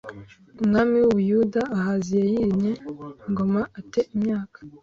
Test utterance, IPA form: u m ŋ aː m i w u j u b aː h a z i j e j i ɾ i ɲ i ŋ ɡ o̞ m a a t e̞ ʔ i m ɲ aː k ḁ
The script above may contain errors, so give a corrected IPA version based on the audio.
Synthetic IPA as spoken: u m ŋ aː m i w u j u d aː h a z i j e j i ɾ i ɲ e ŋ ɡ o̞ m a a t e̞ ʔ i m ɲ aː k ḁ